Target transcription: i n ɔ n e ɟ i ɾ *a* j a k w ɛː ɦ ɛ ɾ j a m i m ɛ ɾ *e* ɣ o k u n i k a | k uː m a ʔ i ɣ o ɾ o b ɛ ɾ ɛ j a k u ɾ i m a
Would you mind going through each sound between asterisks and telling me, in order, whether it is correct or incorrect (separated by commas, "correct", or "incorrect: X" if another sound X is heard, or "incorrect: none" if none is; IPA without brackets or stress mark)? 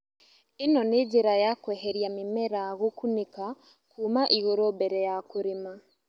correct, incorrect: a